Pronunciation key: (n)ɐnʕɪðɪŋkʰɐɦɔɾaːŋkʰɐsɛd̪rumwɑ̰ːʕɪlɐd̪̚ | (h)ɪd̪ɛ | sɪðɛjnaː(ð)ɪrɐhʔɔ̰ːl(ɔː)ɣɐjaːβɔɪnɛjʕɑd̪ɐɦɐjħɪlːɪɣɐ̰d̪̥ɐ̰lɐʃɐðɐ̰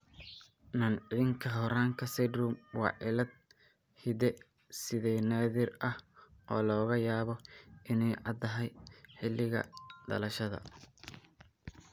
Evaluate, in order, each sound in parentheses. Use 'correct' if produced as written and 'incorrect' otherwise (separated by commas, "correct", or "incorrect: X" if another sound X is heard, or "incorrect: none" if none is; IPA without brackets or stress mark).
correct, correct, correct, correct